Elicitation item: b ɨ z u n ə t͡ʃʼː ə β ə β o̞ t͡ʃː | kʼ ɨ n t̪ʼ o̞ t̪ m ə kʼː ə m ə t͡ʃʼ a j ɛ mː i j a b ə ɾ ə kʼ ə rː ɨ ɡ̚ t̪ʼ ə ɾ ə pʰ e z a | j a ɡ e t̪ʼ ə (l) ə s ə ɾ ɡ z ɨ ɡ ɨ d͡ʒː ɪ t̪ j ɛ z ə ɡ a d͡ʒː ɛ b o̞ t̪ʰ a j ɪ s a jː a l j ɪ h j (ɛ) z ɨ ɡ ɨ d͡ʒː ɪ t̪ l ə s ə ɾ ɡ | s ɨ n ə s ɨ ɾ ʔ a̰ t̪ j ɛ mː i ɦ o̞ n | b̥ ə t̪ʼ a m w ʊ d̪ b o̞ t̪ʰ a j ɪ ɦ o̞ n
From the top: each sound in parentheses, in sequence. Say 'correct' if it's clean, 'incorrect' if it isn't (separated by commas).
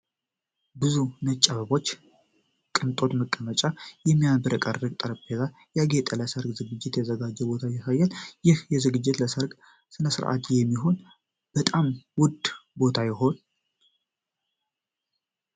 correct, correct